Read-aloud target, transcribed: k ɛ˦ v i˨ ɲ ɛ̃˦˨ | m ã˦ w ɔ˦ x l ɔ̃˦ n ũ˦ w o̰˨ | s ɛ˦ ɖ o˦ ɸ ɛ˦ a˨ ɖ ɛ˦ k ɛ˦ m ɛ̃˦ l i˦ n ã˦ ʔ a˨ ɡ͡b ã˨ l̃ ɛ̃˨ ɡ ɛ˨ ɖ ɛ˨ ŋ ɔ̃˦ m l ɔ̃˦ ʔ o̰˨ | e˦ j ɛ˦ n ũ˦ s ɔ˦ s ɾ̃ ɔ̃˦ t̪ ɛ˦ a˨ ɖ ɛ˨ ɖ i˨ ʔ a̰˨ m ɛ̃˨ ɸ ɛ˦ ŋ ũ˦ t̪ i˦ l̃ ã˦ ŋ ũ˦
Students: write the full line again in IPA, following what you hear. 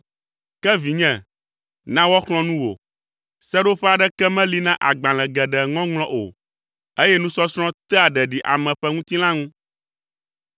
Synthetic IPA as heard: k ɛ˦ v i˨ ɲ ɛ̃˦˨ | n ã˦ w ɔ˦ x l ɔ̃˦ n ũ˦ w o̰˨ | s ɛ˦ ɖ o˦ ɸ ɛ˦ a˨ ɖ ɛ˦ k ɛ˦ m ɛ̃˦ l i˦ n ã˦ ʔ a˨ ɡ͡b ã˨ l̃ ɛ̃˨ ɡ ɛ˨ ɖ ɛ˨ ŋ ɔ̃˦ ŋ l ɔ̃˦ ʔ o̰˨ | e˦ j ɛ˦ n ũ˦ s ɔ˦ s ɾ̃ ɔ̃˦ t̪ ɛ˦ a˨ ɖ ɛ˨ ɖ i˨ ʔ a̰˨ m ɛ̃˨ ɸ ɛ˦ ŋ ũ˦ t̪ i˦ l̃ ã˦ ŋ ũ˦